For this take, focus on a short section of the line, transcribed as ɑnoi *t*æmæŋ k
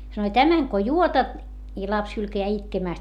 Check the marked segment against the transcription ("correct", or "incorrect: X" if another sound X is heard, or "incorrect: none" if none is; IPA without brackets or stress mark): correct